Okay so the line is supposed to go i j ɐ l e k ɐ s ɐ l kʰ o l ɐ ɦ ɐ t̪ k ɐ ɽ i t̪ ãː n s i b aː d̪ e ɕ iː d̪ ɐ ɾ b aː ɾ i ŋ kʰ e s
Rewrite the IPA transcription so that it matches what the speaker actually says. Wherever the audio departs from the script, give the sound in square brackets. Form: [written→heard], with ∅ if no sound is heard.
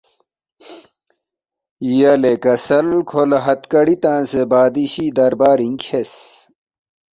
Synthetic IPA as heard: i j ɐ l e k ɐ s ɐ l kʰ o l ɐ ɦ ɐ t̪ k ɐ ɽ i t̪ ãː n s [i→e] b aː d̪ [e→i] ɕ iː d̪ ɐ ɾ b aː ɾ i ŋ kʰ e s